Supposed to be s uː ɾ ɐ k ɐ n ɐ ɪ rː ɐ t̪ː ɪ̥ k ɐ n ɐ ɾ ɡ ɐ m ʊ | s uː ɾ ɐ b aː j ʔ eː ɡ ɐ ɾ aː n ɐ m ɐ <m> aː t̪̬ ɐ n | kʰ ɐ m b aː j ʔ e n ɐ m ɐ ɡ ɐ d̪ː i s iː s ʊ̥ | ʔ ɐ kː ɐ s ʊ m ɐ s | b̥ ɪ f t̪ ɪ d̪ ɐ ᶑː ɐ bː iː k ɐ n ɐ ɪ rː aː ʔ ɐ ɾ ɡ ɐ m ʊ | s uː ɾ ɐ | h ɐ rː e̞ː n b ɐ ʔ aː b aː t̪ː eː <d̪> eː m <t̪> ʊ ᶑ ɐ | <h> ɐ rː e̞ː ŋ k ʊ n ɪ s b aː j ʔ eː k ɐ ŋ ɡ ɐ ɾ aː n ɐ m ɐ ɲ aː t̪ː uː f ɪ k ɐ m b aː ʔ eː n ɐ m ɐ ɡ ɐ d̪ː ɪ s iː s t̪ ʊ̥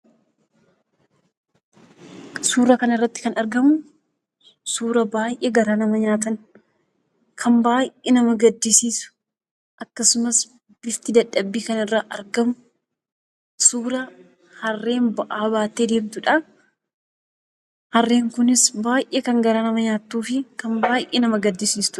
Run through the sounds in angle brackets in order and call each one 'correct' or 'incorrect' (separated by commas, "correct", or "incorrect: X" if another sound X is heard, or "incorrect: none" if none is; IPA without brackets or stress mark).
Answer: incorrect: ɲ, correct, correct, correct